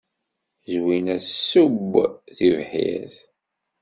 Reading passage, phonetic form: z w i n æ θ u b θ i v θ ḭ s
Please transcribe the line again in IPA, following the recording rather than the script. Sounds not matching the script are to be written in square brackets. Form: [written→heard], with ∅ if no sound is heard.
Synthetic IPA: z w i n æ [θ→s] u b θ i v [θ→ħ] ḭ [s→θ]